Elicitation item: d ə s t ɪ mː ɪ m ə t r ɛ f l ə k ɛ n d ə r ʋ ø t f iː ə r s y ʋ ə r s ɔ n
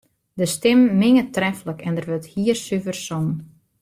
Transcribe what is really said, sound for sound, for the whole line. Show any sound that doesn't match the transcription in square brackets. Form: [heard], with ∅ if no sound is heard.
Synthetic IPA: d ə s t ɪ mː ɪ [ŋ] ə t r ɛ f l ə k ɛ n d ə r ʋ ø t [h] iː ə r s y [v] ə r s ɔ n